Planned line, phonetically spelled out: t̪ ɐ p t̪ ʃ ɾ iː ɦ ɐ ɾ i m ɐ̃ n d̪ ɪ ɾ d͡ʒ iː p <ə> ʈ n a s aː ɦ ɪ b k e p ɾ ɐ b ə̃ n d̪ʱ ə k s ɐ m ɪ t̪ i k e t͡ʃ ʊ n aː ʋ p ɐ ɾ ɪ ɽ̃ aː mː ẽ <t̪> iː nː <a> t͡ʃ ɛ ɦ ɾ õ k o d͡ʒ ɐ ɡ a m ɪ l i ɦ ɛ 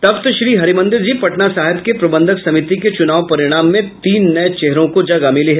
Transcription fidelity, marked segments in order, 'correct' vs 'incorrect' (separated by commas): incorrect, correct, incorrect